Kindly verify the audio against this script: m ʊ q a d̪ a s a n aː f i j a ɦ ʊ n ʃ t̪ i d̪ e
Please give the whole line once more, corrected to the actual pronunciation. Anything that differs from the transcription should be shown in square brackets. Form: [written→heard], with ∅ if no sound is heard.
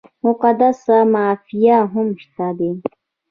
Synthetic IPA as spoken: m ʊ q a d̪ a s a [n→m] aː f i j a ɦ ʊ [n→m] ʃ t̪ [i→a] d̪ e